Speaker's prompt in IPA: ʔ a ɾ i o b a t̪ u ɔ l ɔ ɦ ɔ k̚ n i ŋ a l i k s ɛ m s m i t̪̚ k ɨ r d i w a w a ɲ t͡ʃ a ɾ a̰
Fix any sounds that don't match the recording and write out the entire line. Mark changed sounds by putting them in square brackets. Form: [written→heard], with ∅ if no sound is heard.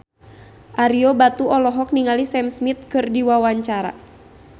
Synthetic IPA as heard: ʔ a ɾ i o b a t̪ u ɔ l ɔ ɦ ɔ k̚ n i ŋ a l i [k→∅] s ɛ m s m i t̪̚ k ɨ r d i w a w a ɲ t͡ʃ a ɾ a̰